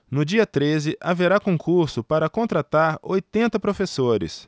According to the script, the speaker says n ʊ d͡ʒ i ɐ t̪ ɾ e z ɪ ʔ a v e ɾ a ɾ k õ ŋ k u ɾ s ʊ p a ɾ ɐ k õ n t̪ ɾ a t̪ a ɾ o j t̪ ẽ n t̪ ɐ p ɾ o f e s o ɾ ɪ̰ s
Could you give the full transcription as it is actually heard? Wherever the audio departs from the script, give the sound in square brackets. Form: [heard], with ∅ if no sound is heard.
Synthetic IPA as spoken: n ʊ d͡ʒ i ɐ t̪ ɾ e z ɪ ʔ a v e ɾ a [∅] k õ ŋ k u ɾ s ʊ p a ɾ ɐ k õ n t̪ ɾ a t̪ a ɾ o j t̪ ẽ n t̪ ɐ p ɾ o f e s o ɾ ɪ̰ s